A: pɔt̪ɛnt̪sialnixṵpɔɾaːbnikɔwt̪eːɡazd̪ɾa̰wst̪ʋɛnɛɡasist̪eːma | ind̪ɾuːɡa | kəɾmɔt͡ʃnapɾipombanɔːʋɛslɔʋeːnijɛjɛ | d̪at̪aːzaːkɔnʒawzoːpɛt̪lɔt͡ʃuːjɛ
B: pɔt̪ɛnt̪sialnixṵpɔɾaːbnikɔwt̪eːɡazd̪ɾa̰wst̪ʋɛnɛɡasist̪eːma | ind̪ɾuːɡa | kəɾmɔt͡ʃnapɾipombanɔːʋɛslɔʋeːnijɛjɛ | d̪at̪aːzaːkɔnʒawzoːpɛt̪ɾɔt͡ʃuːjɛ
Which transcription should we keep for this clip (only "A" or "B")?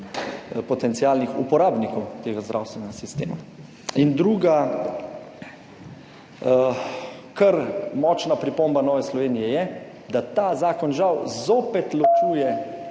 A